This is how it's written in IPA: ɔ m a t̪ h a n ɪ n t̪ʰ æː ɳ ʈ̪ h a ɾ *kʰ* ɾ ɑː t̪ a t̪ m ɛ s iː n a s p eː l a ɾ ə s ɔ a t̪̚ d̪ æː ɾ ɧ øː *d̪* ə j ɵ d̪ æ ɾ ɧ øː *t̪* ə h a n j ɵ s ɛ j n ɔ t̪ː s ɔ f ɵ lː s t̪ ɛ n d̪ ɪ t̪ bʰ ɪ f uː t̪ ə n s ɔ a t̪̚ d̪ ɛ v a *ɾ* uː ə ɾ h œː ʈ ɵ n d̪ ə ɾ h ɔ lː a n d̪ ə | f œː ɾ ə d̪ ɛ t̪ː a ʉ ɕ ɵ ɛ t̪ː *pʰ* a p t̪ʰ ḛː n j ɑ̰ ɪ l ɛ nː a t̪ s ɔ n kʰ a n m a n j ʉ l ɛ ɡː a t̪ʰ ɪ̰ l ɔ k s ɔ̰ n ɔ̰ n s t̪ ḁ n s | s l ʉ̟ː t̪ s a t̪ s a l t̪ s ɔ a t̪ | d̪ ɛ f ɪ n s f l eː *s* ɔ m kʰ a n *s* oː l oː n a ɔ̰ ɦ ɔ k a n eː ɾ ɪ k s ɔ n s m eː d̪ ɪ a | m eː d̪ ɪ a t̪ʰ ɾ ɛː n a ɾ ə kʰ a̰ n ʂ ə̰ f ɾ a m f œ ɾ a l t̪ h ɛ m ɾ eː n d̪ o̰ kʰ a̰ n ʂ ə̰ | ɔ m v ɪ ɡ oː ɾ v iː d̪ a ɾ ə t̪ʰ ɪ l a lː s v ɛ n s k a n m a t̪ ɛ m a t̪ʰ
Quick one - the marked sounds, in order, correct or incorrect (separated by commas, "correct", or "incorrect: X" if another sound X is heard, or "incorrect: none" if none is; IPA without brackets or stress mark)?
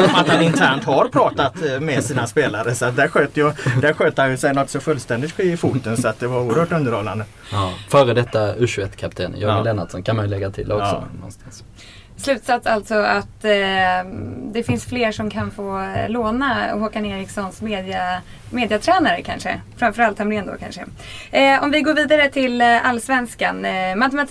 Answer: incorrect: pʰ, incorrect: t̪, correct, correct, incorrect: kʰ, incorrect: ʂ, incorrect: f